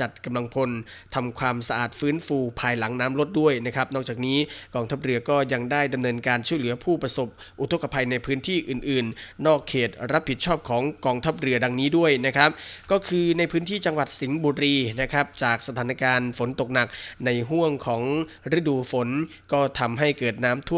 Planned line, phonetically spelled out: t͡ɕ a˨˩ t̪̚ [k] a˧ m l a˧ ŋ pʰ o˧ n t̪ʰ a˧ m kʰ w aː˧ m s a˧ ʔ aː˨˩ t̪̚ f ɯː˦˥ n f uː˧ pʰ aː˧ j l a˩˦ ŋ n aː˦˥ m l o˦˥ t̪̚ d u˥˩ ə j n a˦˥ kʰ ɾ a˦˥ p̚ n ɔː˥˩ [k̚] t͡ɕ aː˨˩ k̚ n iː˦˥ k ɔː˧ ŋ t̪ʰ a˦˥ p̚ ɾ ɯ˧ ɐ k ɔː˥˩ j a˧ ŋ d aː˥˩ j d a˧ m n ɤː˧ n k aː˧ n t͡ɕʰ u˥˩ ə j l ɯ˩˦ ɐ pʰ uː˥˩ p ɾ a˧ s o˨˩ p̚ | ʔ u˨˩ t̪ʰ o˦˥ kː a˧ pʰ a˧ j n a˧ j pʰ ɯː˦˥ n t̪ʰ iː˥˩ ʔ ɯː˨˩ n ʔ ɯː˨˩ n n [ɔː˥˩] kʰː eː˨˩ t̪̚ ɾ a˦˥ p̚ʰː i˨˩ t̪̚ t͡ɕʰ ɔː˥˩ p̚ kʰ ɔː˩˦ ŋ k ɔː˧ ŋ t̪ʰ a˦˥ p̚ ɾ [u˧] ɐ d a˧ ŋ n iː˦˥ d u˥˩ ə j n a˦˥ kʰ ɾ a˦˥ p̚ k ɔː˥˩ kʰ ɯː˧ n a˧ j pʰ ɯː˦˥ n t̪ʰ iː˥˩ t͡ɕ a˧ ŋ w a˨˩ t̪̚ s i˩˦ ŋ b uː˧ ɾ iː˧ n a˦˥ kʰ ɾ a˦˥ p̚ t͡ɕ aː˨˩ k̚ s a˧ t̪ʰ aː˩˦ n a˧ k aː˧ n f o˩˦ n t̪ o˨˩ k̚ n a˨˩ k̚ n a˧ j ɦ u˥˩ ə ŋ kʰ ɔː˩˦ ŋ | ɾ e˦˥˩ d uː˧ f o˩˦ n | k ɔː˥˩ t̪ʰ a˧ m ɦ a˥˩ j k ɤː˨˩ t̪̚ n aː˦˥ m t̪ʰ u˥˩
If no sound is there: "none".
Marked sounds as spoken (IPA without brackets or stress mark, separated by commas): k, k̚, ɔː˥˩, ɯ˧